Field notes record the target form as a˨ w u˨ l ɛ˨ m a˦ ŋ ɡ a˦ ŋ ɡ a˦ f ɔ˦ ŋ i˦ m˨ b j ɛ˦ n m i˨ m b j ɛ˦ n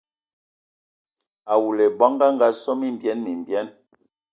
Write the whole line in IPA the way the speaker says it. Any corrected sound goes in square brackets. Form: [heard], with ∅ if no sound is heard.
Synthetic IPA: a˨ w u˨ l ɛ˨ [b] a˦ ŋ ɡ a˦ ŋ ɡ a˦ [s] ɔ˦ [m] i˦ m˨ b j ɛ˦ n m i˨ m b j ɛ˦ n